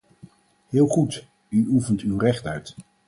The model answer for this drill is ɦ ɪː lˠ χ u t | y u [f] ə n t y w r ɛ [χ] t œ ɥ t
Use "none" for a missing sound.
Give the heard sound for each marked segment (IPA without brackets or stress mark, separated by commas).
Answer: f, χ